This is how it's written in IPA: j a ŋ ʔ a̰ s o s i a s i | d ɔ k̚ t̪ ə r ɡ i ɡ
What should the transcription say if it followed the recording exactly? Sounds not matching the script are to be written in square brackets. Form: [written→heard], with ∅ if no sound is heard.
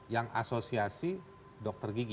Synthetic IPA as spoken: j a ŋ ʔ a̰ s o s i a s i | d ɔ k̚ t̪ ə r ɡ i ɡ